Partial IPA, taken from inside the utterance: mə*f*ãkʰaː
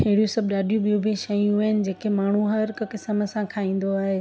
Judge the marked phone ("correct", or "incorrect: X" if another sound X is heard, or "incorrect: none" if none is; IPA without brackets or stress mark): incorrect: s